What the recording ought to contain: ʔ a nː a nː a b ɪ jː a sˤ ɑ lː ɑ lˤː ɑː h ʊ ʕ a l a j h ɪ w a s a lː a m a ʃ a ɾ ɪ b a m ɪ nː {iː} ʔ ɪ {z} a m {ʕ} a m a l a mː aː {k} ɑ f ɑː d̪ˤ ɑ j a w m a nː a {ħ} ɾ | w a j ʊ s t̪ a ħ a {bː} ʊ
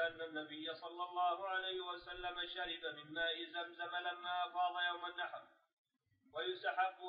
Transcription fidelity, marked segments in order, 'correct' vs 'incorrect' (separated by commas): incorrect, correct, incorrect, incorrect, correct, correct